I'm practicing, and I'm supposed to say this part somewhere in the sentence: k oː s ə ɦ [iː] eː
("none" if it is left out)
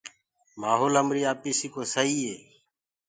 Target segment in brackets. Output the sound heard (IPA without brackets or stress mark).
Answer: iː